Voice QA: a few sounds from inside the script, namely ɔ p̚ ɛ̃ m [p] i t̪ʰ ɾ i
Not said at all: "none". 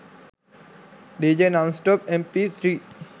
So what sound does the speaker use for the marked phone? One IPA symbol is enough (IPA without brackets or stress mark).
p